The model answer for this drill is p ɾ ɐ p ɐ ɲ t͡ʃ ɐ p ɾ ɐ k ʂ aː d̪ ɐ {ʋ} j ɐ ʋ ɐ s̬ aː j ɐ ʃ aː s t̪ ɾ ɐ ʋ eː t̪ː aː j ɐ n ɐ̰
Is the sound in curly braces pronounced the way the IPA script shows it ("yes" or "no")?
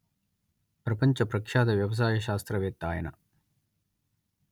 yes